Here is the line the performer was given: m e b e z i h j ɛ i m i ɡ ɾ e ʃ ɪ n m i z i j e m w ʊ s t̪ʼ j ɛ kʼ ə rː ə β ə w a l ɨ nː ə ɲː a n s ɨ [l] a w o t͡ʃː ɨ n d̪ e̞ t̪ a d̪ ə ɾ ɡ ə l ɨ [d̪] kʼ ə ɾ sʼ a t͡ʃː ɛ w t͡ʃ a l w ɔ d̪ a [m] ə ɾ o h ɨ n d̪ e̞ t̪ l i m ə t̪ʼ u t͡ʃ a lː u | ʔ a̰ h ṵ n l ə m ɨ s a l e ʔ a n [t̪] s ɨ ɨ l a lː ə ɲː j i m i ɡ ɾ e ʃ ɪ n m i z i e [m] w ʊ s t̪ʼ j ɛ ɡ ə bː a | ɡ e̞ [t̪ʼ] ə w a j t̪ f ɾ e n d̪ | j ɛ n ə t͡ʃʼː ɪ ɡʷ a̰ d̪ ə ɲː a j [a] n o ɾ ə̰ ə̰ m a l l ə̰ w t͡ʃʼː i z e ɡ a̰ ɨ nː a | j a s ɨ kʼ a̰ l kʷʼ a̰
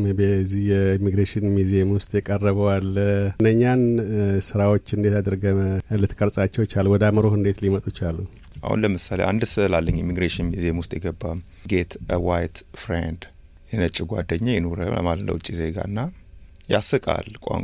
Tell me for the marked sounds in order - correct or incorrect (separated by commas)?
incorrect, incorrect, correct, incorrect, correct, incorrect, incorrect